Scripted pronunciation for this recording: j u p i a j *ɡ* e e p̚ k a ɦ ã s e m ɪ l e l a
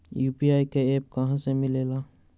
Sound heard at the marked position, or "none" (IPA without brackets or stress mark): k